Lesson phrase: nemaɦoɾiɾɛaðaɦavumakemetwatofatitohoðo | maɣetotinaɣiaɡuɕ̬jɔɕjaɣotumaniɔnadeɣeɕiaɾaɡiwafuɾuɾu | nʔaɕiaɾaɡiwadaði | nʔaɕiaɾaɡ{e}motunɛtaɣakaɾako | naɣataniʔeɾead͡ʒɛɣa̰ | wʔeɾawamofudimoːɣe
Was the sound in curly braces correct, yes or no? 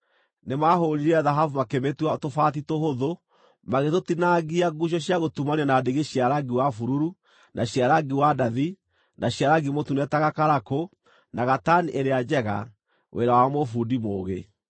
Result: no